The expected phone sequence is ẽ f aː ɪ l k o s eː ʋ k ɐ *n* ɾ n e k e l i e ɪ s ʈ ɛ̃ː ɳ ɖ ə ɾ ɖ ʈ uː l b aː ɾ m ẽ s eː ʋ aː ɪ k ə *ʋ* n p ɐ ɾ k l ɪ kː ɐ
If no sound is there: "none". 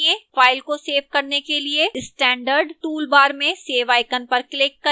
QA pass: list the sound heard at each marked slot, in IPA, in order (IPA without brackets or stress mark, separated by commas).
none, none